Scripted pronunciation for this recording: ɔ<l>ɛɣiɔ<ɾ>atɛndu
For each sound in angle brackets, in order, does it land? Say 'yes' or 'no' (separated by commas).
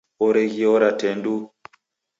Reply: no, yes